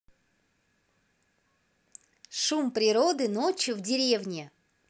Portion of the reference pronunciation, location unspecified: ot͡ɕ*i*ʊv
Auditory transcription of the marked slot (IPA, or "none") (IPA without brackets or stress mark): j